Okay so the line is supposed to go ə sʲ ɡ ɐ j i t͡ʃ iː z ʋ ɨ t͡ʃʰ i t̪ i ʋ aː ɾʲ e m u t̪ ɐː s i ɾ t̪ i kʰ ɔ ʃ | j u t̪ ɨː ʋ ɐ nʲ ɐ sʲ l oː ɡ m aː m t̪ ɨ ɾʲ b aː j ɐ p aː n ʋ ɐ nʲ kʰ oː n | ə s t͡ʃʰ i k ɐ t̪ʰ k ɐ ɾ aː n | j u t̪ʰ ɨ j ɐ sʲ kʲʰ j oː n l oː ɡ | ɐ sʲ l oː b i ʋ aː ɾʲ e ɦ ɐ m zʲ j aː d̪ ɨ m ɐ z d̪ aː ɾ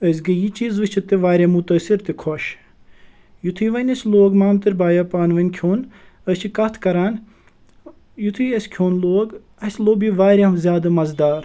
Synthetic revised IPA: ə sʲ ɡ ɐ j i t͡ʃ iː z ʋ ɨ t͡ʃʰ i t̪ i ʋ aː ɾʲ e m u t̪ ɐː s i ɾ t̪ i kʰ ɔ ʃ | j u t̪ʰ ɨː ʋ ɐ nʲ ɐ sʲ l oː ɡ m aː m t̪ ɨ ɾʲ b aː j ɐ p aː n ʋ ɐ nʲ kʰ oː n | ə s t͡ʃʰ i k ɐ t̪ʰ k ɐ ɾ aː n | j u t̪ʰ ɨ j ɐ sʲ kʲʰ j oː n l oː ɡ | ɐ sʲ l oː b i ʋ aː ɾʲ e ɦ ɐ m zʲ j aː d̪ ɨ m ɐ z d̪ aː ɾ